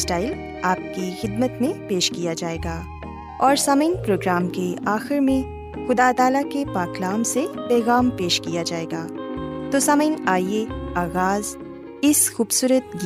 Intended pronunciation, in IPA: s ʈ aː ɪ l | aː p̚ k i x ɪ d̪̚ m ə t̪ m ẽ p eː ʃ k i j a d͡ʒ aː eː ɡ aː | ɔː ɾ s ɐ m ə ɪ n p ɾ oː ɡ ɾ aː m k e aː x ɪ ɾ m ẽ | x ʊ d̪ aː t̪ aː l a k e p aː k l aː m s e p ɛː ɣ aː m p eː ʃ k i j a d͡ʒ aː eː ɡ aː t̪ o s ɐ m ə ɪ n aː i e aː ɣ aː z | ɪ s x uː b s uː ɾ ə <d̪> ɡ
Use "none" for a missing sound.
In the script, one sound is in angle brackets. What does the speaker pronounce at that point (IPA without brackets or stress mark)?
t̪